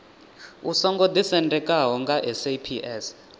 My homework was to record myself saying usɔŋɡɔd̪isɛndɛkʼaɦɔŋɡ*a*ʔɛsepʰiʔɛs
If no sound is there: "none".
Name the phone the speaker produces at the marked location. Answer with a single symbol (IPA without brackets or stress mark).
a